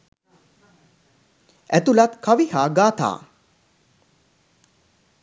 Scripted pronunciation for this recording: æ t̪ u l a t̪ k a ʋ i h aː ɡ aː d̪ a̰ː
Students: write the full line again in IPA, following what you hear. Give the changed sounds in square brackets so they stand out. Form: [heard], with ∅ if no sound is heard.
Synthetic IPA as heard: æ t̪ u l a t̪ k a ʋ i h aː ɡ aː [t̪] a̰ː